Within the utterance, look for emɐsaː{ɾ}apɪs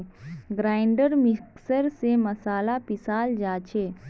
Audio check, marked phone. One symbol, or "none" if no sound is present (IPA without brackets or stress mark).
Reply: l